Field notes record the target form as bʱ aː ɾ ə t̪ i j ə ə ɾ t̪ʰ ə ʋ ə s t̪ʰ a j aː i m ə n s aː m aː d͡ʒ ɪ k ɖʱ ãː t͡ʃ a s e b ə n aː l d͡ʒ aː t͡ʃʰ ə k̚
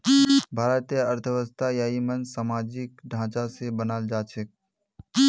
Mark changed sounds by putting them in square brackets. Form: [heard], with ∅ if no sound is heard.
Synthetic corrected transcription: bʱ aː ɾ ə t̪ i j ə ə ɾ t̪ʰ ə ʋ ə s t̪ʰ a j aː i m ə n s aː m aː d͡ʒ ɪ k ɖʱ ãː t͡ʃ a s e b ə n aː l d͡ʒ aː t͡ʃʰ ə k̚